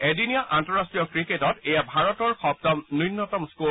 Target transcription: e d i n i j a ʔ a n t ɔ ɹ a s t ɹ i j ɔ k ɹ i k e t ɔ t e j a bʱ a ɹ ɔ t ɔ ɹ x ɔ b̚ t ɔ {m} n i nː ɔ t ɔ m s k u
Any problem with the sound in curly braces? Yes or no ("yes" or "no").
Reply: no